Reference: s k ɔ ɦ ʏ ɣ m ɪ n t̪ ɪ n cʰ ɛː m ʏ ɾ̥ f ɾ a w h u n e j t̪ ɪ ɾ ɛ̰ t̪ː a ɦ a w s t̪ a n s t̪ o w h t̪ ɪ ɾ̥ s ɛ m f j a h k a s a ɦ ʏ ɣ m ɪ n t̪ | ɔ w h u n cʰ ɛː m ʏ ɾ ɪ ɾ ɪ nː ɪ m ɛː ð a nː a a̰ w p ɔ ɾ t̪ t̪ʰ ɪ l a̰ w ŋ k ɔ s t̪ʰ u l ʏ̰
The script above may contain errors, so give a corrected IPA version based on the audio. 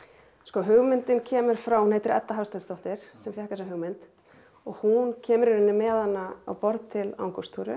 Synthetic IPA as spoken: s k ɔ ɦ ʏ ɣ m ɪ n t̪ ɪ n cʰ ɛː m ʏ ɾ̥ f ɾ a w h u n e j t̪ ɪ ɾ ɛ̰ t̪ː a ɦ a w s t̪ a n s t̪ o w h t̪ ɪ ɾ̥ s ɛ m f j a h k a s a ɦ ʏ ɣ m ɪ n t̪ | ɔ ɣ h u n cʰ ɛː m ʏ ɾ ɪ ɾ ɪ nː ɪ m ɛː ð a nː a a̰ w p ɔ ɾ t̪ t̪ʰ ɪ l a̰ w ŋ k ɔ s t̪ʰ u ɾ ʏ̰